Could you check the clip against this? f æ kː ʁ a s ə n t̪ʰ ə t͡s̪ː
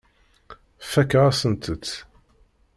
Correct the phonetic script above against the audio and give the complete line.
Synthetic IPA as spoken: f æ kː ʁ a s ə n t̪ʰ ə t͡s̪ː